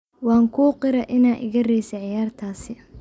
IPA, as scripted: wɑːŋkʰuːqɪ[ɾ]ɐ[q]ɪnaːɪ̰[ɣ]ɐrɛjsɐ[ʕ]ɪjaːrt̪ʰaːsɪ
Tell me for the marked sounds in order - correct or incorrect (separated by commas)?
correct, incorrect, correct, correct